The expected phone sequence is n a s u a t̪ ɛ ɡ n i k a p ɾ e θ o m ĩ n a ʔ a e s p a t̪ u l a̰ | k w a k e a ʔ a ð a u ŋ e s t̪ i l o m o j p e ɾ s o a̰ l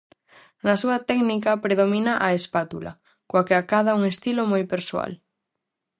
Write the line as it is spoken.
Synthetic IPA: n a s u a t̪ ɛ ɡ n i k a p ɾ e ð o m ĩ n a ʔ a e s p a t̪ u l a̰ | k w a k e a k a ð a u ŋ e s t̪ i l o m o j p e ɾ s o a̰ l